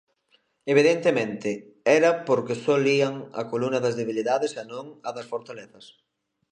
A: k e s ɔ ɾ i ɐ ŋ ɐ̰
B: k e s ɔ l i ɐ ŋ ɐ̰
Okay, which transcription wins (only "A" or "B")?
B